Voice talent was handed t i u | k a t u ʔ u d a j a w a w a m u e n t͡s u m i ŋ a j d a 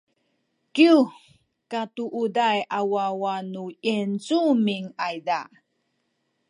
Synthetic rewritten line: k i u | k a t u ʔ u d a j a w a w a n u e n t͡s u m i ŋ a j d a